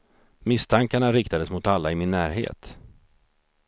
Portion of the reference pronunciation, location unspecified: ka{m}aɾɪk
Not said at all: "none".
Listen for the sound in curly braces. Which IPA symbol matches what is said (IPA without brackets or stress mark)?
ɳ